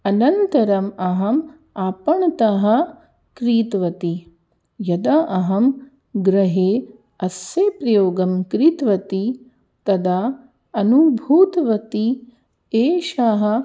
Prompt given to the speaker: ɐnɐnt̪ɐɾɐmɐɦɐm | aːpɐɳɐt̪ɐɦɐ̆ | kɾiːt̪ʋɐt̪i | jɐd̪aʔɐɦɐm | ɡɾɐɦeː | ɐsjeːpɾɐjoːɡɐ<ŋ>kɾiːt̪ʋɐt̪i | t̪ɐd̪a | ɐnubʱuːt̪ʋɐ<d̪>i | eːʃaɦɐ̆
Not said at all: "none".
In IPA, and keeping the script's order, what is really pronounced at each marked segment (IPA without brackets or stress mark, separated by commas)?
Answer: m, t̪